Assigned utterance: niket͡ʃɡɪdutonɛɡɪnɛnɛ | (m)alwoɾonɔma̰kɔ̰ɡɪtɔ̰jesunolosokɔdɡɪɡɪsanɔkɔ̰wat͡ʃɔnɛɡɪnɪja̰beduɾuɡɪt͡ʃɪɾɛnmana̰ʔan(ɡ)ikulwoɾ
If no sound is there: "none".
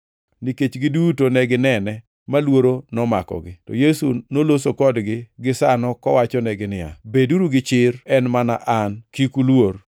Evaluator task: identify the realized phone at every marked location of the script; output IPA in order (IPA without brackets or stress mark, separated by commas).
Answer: m, k